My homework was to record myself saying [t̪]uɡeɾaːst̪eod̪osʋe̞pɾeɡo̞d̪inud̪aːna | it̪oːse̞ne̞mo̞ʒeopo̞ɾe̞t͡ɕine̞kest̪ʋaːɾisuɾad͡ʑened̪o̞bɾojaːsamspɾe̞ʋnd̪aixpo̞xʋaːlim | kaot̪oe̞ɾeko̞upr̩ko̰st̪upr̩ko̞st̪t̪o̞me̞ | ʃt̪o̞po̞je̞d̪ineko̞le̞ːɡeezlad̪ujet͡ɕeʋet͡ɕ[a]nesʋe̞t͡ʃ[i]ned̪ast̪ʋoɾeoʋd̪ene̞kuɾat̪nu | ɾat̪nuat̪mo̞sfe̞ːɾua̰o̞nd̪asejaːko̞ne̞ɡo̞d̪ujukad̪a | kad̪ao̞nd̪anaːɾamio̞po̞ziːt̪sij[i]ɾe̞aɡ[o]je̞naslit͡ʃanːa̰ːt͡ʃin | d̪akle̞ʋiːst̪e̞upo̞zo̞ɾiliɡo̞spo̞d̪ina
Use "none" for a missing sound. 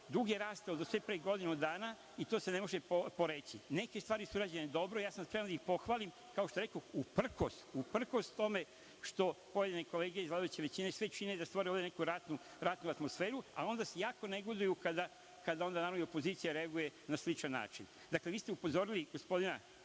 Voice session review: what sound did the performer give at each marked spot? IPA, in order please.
d̪, i, i, a, u

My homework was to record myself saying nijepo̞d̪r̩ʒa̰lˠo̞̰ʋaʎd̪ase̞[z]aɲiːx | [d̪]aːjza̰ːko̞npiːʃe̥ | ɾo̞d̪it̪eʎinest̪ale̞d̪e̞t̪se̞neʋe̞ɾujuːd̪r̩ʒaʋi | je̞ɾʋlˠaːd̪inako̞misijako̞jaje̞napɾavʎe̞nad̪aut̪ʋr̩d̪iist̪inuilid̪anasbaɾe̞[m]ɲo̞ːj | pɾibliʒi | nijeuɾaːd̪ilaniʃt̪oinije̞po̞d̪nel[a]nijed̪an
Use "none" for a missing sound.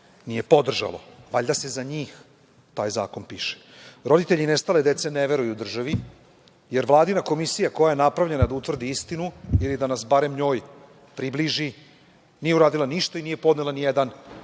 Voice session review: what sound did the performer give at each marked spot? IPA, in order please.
z, t̪, m, a

